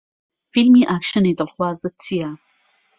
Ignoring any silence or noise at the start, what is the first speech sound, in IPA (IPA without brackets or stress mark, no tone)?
f